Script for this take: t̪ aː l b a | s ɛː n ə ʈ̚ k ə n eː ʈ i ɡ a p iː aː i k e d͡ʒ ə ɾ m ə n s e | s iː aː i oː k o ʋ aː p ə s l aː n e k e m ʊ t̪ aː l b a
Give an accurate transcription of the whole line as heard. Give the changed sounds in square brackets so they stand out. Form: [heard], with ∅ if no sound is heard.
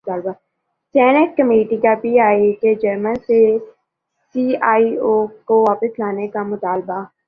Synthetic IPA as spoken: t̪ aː l b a | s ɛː n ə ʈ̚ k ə [m] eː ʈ i [k] a p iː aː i k e d͡ʒ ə ɾ m ə n s e | s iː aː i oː k o ʋ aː p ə s l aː n e k [a] m ʊ t̪ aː l b a

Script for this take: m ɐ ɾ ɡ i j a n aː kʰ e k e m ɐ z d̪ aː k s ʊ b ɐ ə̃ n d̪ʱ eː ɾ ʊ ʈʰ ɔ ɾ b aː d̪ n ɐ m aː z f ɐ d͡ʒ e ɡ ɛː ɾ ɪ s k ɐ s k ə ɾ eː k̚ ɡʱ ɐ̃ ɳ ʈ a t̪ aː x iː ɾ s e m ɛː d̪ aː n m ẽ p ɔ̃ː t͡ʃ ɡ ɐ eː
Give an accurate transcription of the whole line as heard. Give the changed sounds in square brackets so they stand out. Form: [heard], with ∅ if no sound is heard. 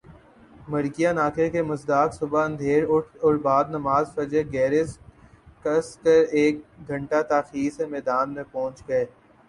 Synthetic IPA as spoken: m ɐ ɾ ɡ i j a n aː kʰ e k e m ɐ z d̪ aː k s ʊ b [a] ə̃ n d̪ʱ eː ɾ ʊ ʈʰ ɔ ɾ b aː d̪ n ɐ m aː z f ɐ d͡ʒ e ɡ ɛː ɾ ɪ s k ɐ s k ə ɾ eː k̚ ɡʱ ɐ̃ ɳ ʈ a t̪ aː x iː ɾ s e m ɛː d̪ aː n m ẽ p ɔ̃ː t͡ʃ ɡ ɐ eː

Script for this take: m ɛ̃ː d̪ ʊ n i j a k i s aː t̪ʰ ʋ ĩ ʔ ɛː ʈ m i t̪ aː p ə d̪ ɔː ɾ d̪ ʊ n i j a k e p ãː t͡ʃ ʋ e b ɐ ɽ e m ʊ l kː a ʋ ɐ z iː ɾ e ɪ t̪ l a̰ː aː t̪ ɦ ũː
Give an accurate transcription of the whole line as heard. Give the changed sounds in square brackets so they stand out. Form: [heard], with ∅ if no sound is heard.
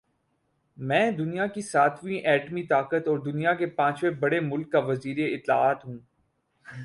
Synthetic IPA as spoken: m ɛ̃ː d̪ ʊ n i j a k i s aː t̪ʰ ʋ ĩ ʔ ɛː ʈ m i t̪ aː [k] ə [t̪] ɔː ɾ d̪ ʊ n i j a k e p ãː t͡ʃ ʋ e b ɐ ɽ e m ʊ l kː a ʋ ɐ z iː ɾ e ɪ t̪ l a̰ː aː t̪ ɦ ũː

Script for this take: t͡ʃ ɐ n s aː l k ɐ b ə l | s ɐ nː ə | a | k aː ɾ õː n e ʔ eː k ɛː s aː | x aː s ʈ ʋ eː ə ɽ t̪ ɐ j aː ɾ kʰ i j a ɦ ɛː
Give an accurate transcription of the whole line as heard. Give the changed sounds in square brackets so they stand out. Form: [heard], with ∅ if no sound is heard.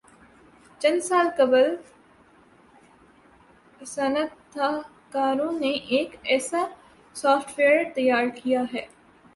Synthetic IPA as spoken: t͡ʃ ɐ n s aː l k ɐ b ə l | s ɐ [n] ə | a | k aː ɾ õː n e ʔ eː k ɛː s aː | [s] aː [f] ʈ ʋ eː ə [ɾ] t̪ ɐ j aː ɾ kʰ i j a ɦ ɛː

